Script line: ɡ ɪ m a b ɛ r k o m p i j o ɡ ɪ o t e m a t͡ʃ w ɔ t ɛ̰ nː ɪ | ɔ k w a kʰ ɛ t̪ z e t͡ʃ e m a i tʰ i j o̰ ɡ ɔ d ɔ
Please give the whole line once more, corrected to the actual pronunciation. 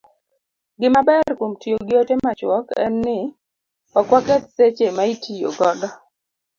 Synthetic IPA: ɡ ɪ m a b ɛ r k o m t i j o ɡ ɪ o t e m a t͡ʃ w ɔ k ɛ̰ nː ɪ | ɔ k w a k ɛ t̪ s e t͡ʃ e m a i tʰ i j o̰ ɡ ɔ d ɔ